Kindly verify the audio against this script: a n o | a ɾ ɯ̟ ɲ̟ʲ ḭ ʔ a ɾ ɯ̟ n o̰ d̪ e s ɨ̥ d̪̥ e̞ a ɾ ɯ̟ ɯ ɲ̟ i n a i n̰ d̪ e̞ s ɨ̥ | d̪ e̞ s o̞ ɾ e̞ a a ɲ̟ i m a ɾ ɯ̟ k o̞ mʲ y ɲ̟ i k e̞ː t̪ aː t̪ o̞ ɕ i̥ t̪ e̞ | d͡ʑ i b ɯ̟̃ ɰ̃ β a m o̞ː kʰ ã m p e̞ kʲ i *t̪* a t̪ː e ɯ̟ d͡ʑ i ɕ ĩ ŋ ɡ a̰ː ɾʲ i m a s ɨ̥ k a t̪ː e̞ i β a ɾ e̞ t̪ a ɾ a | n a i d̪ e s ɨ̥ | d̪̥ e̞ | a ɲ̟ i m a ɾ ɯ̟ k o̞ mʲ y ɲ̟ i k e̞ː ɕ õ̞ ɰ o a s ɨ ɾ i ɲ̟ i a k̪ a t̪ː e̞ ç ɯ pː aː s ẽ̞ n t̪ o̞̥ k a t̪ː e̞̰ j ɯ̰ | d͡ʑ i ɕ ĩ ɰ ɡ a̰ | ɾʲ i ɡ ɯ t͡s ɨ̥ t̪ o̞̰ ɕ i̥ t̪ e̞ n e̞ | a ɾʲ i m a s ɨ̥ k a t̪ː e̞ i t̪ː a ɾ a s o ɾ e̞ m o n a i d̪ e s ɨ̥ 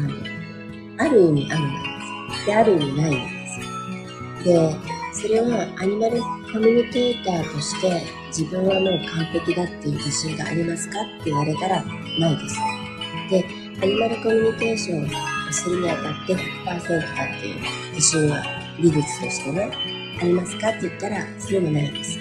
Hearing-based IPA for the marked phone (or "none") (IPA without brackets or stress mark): d̪